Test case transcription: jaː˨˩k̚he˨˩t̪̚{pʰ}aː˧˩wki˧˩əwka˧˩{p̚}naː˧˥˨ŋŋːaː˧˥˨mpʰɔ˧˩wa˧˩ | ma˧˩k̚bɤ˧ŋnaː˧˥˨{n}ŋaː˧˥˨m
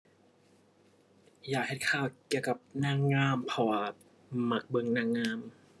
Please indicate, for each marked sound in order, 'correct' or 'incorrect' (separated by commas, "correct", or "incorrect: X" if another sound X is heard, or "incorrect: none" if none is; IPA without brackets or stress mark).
incorrect: kʰ, correct, incorrect: ŋ